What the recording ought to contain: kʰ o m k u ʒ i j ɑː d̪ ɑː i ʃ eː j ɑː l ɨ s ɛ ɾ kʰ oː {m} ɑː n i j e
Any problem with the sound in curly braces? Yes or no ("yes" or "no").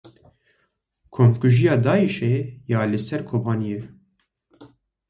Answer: yes